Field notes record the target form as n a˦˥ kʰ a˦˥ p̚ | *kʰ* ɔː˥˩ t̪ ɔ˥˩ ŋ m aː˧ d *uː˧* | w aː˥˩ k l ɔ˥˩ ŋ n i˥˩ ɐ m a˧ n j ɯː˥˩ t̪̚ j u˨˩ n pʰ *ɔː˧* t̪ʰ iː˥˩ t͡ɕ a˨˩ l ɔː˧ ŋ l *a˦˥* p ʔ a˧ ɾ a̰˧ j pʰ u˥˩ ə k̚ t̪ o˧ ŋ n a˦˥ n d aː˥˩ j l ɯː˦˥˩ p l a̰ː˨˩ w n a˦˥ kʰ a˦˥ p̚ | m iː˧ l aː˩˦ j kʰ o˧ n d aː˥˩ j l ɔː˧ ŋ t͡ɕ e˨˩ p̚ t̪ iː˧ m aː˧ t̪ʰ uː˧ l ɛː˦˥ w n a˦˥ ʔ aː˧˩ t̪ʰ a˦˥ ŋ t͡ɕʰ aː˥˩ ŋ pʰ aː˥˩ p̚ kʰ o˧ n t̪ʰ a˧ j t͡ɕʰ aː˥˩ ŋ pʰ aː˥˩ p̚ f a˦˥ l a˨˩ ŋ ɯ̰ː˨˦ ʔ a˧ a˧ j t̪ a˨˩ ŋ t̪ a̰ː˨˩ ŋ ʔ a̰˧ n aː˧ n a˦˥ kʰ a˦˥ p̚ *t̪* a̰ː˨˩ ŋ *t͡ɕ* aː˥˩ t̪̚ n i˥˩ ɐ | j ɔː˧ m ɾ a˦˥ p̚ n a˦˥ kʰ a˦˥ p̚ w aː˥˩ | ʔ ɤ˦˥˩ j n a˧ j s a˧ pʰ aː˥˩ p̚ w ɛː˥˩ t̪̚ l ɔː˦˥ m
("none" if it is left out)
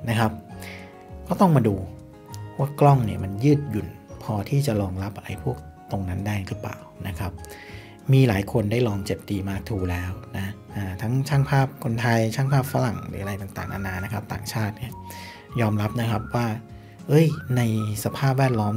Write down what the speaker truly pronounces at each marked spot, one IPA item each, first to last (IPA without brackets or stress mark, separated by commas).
k, uː˧, ɔː˧, a˦˥, t̪, t͡ɕʰ